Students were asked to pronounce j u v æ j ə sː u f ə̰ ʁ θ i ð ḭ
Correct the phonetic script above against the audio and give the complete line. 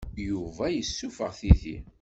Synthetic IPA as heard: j u v æ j ə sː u f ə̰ ʁ θ i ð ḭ